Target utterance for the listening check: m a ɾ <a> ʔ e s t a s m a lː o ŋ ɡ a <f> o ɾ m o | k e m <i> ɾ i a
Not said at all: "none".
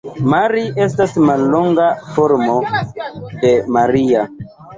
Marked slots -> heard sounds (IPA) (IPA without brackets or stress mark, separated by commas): i, f, a